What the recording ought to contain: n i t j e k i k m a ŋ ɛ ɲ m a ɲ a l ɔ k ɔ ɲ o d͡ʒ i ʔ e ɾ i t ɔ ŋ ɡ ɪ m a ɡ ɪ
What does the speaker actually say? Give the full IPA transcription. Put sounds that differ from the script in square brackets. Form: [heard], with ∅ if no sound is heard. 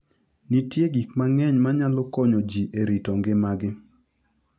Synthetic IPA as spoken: n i t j e [ɡ] i k m a ŋ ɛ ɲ m a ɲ a l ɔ k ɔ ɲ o d͡ʒ i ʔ e ɾ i t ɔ ŋ ɡ ɪ m a ɡ ɪ